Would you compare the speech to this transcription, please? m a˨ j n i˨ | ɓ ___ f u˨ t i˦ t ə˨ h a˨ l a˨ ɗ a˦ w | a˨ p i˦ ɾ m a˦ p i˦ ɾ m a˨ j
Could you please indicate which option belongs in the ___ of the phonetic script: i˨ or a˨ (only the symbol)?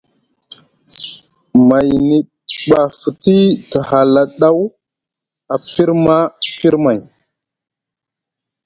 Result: a˨